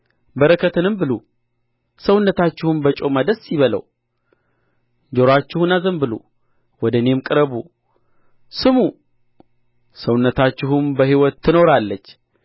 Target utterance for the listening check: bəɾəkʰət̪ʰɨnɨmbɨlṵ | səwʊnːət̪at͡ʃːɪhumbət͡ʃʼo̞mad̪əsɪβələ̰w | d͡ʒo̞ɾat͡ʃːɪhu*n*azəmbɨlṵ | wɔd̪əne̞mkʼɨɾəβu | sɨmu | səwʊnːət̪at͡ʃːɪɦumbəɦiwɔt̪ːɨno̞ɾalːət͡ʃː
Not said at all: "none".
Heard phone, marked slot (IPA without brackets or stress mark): n